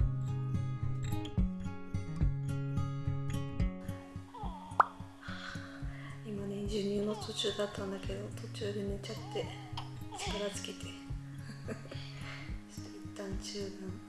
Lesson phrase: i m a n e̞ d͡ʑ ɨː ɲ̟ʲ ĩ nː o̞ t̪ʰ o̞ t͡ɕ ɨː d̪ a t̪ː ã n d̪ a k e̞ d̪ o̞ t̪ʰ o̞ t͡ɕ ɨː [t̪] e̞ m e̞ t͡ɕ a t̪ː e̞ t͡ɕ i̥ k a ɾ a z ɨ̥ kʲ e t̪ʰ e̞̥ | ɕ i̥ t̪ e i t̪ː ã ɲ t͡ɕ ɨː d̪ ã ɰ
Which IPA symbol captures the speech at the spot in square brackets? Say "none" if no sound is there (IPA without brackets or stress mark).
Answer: d̪